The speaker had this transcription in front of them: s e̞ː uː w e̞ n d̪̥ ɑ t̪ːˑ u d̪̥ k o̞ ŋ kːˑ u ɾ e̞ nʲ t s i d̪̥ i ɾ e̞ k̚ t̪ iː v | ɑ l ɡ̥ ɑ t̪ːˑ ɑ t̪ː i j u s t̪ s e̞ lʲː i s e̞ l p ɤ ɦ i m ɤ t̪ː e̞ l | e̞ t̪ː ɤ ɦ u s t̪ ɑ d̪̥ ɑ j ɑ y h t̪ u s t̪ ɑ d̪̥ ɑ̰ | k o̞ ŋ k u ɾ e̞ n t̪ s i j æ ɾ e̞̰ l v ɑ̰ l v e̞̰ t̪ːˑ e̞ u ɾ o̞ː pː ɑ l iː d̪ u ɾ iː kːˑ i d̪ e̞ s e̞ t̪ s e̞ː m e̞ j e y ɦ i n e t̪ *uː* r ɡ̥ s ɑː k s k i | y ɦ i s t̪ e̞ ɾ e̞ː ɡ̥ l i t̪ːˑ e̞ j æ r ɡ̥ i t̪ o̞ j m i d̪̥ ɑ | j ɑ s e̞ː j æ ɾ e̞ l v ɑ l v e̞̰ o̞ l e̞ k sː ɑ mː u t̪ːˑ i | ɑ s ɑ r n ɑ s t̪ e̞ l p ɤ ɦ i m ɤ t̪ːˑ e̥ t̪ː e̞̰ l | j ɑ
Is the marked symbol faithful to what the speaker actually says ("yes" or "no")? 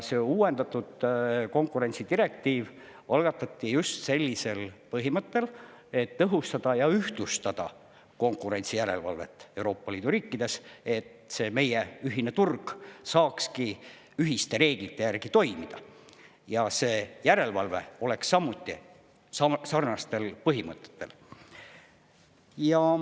no